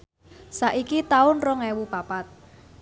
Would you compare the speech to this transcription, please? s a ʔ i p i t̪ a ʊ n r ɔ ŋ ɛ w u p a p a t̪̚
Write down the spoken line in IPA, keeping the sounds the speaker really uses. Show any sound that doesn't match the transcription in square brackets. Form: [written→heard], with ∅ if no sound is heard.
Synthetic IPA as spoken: s a ʔ i [p→k] i t̪ a ʊ n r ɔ ŋ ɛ w u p a p a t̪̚